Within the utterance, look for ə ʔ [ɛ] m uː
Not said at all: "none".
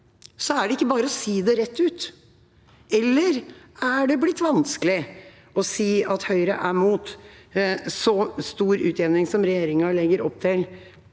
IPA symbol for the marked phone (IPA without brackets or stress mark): æ